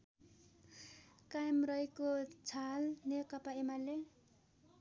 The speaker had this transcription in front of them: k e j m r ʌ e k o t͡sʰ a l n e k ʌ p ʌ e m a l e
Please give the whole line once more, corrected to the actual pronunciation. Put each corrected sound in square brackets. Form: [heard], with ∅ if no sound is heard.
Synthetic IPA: k [a] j m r ʌ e k o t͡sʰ a l n e k ʌ p [a] e m a l e